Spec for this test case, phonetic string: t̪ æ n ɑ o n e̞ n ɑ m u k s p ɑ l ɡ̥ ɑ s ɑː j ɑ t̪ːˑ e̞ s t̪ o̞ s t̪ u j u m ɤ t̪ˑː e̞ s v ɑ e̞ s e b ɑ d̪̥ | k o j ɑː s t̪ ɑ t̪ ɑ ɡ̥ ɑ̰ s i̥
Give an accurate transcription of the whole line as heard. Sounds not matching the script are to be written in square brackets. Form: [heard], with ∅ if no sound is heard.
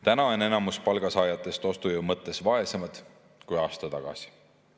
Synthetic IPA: t̪ æ n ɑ o n e̞ n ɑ m u [∅] s p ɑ l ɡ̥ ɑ s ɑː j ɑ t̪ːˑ e̞ s t̪ o̞ s t̪ u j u m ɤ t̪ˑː e̞ s v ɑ e̞ s e [m] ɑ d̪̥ | k [u] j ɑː s t̪ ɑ t̪ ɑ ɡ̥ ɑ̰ s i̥